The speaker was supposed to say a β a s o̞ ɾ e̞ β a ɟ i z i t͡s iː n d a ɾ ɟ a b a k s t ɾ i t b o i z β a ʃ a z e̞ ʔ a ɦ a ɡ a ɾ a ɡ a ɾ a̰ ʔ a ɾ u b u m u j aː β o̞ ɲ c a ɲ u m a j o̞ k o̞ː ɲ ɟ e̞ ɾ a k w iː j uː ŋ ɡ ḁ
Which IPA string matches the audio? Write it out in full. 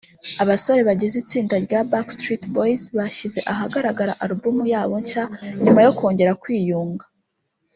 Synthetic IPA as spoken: a β a s o̞ ɾ e̞ β a ɟ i z i t͡s iː n d a ɾ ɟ a b a k s t ɾ i t b o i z β a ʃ i z e̞ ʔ a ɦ a ɡ a ɾ a ɡ a ɾ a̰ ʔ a ɾ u b u m u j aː β o̞ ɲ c a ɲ u m a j o̞ k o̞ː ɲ ɟ e̞ ɾ a k w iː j uː ŋ ɡ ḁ